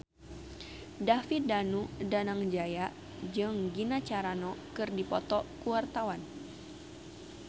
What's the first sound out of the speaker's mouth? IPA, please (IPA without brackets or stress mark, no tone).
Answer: d